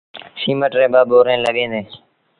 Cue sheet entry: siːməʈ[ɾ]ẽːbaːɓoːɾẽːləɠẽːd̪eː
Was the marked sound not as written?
no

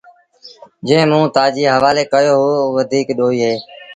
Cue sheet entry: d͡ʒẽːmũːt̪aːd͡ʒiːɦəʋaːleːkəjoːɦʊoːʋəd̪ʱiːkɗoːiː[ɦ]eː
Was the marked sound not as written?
no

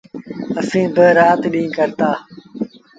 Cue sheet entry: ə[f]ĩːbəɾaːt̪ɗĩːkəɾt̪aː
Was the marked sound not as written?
yes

